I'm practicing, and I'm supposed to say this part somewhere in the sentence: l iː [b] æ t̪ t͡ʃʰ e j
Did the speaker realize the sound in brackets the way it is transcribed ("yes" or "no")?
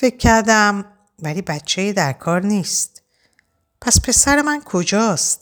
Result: yes